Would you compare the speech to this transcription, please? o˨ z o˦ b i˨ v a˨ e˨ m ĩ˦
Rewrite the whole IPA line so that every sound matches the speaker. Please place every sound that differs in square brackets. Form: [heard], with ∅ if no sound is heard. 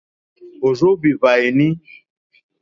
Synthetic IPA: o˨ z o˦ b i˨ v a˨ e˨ [n] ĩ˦

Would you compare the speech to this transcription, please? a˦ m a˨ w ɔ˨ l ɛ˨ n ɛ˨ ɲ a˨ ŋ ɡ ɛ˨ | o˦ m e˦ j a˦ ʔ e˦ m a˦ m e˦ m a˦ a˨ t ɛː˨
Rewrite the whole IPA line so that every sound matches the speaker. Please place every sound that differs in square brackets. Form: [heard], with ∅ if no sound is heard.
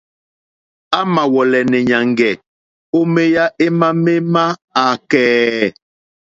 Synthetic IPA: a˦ m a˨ w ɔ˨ l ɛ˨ n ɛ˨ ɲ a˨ ŋ ɡ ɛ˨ | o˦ m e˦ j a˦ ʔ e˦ m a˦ m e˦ m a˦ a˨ [k] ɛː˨

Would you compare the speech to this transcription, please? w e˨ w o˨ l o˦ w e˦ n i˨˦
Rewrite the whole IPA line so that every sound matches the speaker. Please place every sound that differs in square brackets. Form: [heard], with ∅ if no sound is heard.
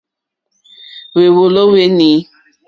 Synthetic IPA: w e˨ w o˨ l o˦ w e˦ n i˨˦

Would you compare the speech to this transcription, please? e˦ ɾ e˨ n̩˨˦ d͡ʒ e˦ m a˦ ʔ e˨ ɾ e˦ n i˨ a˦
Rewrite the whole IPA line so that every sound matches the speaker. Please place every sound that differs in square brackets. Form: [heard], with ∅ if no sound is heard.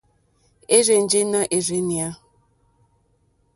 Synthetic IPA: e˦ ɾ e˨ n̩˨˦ d͡ʒ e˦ [n] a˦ ʔ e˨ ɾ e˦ n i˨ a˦

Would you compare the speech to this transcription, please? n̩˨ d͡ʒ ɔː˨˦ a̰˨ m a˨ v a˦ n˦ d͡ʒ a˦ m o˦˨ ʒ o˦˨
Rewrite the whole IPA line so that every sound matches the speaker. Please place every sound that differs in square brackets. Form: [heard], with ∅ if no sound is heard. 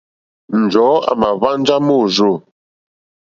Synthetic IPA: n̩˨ d͡ʒ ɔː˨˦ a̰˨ m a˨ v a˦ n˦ d͡ʒ a˦ m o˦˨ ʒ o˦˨

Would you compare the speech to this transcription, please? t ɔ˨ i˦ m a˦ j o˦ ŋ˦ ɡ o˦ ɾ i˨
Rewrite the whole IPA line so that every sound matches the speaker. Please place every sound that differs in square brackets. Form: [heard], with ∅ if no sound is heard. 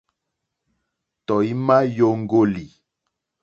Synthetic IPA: t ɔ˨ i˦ m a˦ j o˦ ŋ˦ ɡ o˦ [l] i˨

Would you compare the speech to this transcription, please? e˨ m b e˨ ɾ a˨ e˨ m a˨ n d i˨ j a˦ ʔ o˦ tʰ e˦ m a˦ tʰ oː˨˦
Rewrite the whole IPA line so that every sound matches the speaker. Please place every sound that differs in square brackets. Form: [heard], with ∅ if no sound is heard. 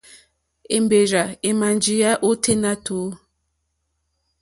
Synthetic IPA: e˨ m b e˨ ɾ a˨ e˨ m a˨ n [d͡ʒ] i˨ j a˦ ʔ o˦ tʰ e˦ [n] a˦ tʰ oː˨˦

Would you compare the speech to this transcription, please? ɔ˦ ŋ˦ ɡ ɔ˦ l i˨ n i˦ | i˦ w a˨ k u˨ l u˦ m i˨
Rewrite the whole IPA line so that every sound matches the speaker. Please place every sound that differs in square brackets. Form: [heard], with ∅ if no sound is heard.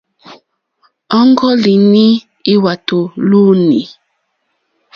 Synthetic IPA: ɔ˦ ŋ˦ ɡ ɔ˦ l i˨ n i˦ | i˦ w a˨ [t] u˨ l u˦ [n] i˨

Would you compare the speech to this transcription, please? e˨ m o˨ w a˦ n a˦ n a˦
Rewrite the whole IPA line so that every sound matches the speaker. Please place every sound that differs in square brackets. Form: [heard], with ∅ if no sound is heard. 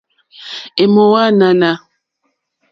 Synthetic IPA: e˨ m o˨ w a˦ n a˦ n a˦

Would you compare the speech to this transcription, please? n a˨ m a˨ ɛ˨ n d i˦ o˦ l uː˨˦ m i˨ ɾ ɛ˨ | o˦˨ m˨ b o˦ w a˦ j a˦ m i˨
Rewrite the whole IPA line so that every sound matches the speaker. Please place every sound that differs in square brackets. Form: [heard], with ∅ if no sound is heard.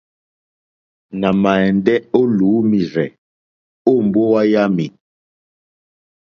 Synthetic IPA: n a˨ m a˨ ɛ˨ n d [ɛ˦] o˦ l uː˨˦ m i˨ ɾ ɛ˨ | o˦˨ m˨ b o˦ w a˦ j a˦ m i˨

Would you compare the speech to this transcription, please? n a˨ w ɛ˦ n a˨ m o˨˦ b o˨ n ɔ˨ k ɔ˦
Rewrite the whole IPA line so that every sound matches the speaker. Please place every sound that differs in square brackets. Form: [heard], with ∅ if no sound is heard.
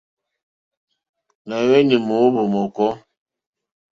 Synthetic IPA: n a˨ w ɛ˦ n [i˨] m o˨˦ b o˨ [m] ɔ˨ k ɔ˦

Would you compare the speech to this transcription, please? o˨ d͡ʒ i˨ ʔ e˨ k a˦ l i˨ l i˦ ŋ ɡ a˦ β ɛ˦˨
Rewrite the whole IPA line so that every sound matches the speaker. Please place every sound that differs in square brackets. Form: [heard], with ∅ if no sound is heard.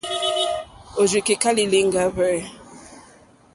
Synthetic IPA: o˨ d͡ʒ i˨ [k] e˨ k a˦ l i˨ l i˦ ŋ ɡ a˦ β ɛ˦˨

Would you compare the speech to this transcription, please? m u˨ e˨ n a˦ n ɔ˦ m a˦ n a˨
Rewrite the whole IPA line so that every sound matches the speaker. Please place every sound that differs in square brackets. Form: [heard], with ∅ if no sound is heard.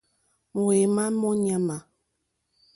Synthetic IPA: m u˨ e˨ [m] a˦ [m] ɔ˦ [ɲ] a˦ [m] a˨

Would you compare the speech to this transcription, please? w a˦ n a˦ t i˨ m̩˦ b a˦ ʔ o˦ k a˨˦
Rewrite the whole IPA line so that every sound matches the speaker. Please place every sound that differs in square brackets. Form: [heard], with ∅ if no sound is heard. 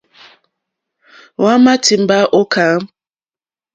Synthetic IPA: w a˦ [m] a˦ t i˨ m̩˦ b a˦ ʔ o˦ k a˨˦

